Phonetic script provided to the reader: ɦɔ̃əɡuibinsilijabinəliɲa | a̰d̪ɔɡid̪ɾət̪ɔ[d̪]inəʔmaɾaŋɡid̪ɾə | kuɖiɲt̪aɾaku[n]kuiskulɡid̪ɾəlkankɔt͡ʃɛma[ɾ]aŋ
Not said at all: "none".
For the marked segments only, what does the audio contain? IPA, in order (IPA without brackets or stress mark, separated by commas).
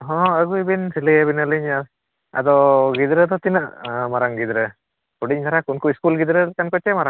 t̪, n, ɾ